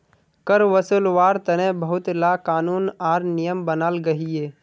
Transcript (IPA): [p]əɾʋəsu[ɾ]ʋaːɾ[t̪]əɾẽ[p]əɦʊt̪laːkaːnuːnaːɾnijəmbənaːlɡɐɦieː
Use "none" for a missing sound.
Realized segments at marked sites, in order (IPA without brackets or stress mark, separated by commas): k, l, t̪, b